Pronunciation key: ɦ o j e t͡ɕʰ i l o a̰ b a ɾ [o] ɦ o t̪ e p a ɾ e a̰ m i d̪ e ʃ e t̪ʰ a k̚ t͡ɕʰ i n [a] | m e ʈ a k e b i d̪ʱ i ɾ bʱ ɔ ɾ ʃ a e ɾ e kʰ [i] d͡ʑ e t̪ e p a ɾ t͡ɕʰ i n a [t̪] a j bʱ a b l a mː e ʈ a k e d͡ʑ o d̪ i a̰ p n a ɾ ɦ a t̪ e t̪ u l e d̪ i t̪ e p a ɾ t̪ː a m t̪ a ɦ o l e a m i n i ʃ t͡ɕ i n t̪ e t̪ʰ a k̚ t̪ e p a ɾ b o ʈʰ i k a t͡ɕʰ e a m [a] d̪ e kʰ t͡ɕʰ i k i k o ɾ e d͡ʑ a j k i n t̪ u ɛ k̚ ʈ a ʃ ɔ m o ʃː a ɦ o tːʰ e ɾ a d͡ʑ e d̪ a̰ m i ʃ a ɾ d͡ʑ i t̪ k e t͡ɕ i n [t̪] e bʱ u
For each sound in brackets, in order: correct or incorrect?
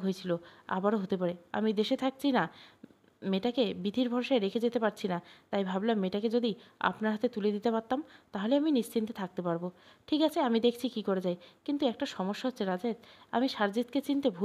correct, correct, incorrect, correct, incorrect, correct

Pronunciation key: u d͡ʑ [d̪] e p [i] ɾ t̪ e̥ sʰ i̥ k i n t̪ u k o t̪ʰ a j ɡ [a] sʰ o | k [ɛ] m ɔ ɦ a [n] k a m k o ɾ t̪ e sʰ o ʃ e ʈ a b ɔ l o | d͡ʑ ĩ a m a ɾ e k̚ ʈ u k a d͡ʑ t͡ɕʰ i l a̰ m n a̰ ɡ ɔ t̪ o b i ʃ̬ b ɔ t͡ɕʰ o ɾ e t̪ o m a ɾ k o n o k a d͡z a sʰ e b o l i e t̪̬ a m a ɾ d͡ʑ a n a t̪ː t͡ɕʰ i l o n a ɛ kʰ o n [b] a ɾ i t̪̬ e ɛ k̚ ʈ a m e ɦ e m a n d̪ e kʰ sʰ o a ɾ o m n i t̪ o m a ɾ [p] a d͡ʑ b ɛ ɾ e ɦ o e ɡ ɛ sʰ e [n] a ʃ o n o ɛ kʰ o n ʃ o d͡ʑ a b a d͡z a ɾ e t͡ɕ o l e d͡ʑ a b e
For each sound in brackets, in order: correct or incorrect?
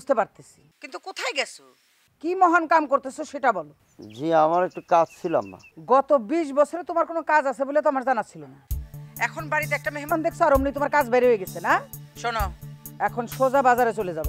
incorrect, incorrect, incorrect, incorrect, correct, correct, incorrect, correct

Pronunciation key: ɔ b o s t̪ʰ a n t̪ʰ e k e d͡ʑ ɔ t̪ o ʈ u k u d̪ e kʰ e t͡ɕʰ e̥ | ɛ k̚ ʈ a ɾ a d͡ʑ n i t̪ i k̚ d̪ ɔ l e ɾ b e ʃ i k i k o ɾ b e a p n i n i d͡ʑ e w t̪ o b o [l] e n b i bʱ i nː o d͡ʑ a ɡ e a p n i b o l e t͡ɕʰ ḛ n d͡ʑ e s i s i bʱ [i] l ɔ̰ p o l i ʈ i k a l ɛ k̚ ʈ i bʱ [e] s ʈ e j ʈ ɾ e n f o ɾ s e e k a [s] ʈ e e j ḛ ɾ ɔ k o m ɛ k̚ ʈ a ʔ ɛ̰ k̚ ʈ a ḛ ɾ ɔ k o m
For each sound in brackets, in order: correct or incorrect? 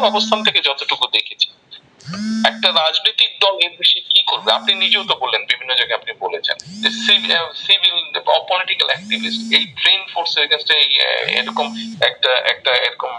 incorrect, correct, incorrect, correct

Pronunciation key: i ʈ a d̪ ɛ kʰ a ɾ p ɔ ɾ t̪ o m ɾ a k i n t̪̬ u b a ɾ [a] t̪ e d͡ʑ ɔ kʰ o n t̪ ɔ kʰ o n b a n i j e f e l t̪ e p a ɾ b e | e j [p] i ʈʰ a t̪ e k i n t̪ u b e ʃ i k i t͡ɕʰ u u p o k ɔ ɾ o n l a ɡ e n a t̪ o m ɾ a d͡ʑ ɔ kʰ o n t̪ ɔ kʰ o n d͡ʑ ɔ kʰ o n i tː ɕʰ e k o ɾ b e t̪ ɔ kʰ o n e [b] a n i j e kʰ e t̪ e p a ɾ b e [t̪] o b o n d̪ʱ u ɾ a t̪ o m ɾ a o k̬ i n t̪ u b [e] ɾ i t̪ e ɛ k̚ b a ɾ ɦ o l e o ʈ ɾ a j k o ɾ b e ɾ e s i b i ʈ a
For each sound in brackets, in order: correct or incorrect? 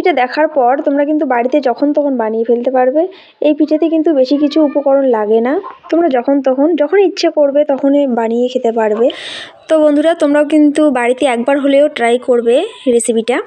incorrect, correct, correct, correct, incorrect

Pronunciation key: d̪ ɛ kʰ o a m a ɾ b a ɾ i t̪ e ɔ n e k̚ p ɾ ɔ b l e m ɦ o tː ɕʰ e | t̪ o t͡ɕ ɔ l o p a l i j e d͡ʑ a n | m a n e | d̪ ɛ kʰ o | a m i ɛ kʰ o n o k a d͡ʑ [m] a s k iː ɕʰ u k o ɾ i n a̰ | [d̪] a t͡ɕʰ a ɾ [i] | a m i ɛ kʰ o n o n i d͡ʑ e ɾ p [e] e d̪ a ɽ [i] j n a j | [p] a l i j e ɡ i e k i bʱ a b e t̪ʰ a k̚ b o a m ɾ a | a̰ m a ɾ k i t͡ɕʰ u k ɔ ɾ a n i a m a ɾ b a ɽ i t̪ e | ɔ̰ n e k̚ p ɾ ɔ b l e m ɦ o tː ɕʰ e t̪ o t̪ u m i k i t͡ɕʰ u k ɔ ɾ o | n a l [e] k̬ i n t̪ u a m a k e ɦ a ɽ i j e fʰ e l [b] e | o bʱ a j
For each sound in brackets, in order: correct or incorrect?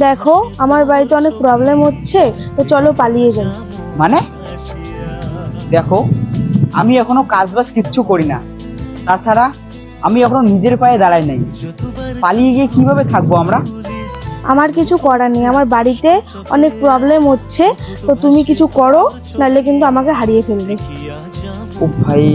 incorrect, incorrect, incorrect, incorrect, incorrect, correct, correct, correct

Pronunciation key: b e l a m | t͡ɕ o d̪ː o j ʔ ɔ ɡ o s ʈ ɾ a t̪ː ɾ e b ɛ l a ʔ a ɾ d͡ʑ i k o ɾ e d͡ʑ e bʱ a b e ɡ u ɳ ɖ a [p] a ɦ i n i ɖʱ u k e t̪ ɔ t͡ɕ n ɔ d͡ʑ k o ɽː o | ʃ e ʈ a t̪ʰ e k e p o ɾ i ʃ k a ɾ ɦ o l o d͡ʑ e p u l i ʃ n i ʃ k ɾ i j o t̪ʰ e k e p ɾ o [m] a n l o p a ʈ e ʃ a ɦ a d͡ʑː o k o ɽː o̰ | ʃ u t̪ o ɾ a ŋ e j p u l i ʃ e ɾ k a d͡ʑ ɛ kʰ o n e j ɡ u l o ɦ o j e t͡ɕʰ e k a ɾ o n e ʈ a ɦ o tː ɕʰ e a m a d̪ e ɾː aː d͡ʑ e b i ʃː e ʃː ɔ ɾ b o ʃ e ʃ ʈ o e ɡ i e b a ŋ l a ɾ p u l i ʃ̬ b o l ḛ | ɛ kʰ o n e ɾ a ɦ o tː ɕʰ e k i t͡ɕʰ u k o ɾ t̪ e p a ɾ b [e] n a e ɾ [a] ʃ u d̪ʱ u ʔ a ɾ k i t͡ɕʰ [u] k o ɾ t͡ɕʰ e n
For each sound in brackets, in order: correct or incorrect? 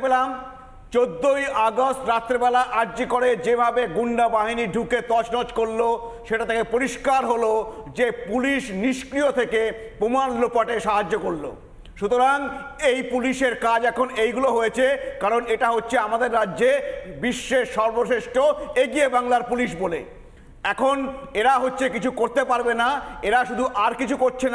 incorrect, correct, correct, correct, correct

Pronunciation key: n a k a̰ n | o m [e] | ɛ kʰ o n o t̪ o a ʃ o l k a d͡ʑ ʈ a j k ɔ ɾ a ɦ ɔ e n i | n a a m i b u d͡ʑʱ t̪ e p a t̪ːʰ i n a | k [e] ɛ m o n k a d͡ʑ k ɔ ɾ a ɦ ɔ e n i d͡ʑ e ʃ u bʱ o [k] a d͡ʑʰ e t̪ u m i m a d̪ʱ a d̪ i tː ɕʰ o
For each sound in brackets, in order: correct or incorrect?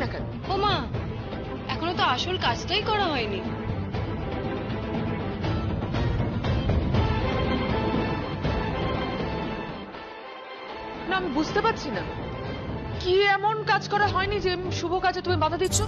incorrect, incorrect, correct

